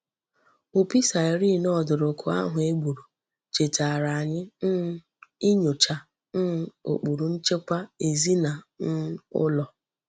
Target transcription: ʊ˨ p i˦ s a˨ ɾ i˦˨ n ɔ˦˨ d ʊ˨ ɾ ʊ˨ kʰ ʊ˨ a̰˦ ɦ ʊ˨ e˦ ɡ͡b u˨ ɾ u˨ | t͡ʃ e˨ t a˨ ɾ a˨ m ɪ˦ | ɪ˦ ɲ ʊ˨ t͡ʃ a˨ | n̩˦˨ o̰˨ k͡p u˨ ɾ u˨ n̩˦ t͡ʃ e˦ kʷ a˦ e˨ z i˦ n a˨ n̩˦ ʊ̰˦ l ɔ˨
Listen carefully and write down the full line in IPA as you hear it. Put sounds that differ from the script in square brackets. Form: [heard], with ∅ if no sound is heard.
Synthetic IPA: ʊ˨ p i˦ s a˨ ɾ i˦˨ n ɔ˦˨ d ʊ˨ ɾ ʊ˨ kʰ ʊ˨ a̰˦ ɦ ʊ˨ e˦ ɡ͡b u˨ ɾ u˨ | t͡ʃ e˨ t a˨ ɾ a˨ [ɲ] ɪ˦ | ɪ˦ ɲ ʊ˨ t͡ʃ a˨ | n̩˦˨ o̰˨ k͡p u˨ ɾ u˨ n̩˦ t͡ʃ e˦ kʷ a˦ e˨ z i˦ n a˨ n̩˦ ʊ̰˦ l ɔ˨